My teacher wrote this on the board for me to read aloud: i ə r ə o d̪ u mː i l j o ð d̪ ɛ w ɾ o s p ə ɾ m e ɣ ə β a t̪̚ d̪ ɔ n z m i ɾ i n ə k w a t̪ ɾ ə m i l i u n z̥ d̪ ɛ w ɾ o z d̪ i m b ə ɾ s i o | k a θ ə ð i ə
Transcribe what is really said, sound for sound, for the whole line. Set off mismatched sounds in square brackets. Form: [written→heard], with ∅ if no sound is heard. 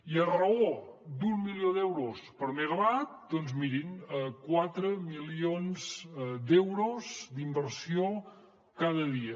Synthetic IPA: i ə r ə o d̪ u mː i l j o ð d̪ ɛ w ɾ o s p ə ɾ m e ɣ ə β a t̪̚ d̪ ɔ n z m i ɾ i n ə k w a t̪ ɾ ə m i l i [u→o] n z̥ d̪ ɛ w ɾ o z d̪ i m b ə ɾ s i o | k a [θ→ð] ə ð i ə

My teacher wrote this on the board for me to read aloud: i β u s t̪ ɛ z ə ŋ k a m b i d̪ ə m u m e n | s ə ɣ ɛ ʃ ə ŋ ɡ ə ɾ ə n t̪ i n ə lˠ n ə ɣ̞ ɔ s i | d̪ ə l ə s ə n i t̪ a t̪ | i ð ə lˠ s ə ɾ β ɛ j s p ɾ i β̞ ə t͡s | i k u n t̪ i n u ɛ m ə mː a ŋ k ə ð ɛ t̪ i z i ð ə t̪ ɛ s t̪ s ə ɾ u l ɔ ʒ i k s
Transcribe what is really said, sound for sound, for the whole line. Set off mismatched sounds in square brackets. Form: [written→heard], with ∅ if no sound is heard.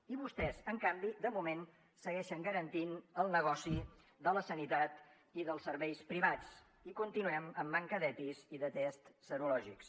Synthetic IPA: i β u s t̪ ɛ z ə ŋ k a m b i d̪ ə m u m e n | s ə ɣ ɛ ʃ ə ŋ ɡ ə ɾ ə n t̪ i n ə lˠ n ə ɣ̞ ɔ s i | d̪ ə l ə s ə n i t̪ a t̪ | i ð ə lˠ s ə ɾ β ɛ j s p ɾ i β̞ [ə→a] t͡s | i k u n t̪ i n u ɛ m ə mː a ŋ k ə ð ɛ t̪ i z i ð ə t̪ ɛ s t̪ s ə ɾ u l ɔ ʒ i k s

